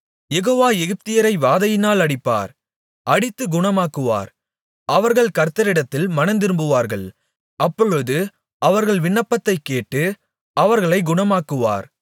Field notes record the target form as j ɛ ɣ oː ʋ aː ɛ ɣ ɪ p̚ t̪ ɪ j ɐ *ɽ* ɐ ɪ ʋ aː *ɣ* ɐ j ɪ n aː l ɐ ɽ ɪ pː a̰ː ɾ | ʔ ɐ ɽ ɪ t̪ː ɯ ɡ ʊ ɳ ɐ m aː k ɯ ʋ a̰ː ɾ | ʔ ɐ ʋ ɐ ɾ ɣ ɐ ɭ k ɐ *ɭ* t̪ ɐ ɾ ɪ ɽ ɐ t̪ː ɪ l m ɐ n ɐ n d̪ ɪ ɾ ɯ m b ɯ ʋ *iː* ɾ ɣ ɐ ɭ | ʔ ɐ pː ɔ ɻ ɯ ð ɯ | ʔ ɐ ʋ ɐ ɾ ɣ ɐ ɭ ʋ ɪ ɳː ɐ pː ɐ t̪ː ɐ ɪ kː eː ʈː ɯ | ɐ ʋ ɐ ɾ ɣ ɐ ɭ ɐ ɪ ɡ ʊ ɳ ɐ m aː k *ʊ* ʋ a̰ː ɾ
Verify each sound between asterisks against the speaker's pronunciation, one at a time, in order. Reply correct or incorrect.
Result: incorrect, incorrect, incorrect, incorrect, incorrect

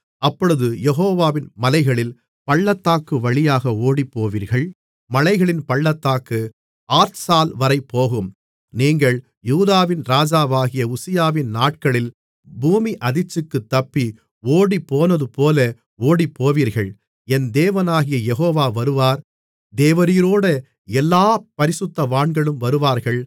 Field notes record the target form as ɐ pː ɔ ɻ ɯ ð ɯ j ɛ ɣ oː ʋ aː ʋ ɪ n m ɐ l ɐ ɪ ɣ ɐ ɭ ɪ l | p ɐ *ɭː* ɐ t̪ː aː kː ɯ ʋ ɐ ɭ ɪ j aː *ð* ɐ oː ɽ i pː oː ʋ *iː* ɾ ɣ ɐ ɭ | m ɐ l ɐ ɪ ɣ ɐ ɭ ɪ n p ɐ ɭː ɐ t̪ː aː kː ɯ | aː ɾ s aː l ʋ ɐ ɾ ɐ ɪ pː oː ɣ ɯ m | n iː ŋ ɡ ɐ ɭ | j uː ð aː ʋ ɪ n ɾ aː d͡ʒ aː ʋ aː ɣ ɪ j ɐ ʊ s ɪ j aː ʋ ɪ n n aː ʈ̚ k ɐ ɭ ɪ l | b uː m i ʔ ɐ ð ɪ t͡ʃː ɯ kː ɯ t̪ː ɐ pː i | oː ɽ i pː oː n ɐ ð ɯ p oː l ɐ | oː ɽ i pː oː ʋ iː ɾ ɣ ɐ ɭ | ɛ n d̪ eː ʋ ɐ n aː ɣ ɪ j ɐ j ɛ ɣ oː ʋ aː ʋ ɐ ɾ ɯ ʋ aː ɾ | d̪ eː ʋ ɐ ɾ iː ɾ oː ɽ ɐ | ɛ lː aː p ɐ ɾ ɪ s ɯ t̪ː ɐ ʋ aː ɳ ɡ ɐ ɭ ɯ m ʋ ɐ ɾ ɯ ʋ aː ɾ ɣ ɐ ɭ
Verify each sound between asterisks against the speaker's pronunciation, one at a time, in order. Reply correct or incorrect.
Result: correct, incorrect, correct

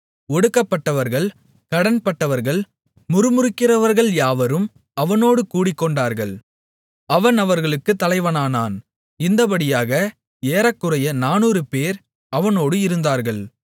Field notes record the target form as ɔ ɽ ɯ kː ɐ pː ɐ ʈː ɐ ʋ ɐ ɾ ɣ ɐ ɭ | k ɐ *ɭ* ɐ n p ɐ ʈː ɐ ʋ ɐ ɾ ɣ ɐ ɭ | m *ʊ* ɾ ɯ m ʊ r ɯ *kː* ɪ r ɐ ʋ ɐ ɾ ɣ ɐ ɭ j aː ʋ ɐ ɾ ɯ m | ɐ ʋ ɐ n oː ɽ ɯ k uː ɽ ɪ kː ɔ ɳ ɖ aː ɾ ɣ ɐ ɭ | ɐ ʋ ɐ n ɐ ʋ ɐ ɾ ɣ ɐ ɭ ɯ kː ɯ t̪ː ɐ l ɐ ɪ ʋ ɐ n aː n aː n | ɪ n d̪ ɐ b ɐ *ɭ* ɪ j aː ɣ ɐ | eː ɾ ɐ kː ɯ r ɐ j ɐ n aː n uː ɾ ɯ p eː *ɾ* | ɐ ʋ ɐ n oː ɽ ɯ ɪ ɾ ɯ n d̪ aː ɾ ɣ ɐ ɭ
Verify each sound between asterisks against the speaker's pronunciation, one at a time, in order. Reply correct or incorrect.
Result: incorrect, correct, correct, incorrect, correct

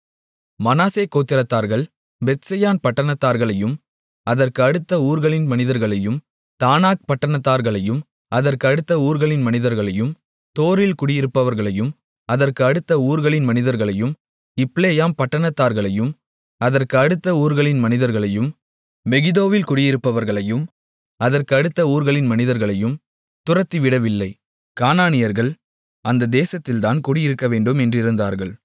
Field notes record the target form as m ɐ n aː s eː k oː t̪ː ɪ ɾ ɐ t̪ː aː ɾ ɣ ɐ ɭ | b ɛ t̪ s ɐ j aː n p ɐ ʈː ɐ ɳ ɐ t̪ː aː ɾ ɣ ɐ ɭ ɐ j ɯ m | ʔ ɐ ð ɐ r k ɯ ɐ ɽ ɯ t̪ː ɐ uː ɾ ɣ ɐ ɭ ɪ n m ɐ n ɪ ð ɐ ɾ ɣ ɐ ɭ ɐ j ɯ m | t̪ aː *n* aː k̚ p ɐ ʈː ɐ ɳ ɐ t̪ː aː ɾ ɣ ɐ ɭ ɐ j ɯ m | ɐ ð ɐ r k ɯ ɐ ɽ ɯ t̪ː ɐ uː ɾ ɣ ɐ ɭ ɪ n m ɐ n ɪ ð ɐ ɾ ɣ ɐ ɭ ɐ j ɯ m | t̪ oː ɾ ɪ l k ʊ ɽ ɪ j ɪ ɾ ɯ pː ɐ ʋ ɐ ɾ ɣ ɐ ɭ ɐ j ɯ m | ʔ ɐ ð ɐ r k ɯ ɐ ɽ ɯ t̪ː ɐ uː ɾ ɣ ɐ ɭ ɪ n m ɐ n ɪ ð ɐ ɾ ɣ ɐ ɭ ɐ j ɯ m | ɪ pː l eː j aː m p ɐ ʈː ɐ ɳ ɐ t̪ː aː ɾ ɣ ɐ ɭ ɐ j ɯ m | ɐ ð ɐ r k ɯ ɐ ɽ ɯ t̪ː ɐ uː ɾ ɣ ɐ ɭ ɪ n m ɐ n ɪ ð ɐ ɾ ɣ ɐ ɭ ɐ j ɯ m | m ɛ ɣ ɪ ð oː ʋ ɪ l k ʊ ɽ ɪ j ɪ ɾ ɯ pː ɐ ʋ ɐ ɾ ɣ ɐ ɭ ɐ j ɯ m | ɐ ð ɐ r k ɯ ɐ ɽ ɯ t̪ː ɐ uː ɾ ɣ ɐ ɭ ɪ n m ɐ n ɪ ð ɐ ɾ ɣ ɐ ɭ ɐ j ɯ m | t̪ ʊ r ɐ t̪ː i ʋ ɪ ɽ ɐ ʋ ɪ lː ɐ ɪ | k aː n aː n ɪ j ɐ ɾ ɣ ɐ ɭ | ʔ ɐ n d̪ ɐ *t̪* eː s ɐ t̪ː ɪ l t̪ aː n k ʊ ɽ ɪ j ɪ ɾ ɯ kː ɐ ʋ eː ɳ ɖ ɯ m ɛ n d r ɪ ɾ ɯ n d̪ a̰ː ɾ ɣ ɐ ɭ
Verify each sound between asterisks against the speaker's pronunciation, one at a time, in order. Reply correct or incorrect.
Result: correct, incorrect

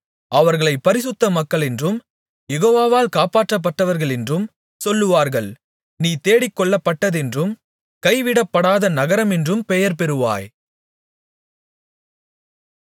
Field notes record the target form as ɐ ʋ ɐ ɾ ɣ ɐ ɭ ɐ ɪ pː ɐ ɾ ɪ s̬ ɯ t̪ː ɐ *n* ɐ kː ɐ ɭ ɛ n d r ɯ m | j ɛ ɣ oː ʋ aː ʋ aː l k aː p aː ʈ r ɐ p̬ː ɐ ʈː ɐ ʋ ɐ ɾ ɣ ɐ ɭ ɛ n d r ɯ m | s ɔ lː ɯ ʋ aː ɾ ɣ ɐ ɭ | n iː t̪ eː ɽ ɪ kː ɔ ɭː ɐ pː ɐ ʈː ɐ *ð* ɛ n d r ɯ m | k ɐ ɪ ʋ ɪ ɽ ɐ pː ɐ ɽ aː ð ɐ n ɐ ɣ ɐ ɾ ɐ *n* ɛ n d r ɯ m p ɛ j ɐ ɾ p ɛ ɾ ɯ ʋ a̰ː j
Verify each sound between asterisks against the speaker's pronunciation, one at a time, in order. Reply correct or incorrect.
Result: incorrect, correct, incorrect

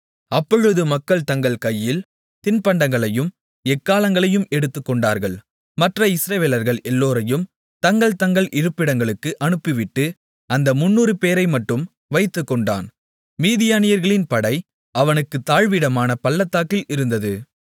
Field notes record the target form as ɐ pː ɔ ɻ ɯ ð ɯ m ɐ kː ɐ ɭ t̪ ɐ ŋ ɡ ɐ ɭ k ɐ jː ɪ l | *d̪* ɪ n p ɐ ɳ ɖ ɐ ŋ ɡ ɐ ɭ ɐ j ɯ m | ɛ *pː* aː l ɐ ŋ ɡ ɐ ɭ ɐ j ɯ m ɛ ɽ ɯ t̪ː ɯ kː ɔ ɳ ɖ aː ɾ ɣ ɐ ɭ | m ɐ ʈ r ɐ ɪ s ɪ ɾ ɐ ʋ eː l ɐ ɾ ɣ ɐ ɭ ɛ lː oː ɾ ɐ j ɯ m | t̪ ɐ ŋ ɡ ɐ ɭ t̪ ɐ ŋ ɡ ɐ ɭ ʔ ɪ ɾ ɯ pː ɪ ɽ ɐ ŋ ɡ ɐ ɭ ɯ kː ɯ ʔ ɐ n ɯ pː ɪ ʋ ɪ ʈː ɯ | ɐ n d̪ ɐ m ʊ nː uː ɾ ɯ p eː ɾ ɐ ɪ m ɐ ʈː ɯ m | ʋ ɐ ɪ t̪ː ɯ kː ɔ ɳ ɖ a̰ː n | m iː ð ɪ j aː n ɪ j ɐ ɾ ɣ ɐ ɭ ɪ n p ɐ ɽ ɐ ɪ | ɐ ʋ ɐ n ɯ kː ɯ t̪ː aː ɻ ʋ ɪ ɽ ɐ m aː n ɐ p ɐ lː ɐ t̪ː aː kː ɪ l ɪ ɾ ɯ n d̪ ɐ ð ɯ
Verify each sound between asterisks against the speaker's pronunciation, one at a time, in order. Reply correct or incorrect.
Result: incorrect, incorrect

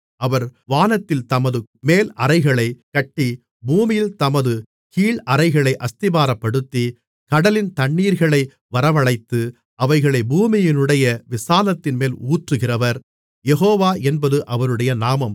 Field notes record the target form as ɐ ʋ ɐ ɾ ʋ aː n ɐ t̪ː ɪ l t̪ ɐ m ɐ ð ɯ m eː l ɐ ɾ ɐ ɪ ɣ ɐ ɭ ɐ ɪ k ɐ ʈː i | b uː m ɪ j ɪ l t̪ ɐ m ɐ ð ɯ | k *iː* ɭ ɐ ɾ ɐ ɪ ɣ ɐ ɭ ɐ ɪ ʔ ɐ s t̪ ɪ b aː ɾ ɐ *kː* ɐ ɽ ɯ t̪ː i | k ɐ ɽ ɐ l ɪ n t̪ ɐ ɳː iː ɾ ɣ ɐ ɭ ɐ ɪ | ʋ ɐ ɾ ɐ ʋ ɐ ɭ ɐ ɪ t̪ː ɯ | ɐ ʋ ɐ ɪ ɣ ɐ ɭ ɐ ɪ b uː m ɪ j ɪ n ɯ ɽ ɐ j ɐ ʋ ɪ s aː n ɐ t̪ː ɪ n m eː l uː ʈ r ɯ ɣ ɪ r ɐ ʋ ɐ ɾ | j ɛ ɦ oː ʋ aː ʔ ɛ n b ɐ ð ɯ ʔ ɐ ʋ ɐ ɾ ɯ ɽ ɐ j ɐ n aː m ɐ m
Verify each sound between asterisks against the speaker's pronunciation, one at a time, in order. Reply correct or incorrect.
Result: correct, incorrect

